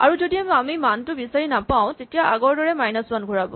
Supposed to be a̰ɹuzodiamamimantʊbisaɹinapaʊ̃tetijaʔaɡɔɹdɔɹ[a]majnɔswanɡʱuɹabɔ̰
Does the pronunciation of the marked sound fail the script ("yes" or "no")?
yes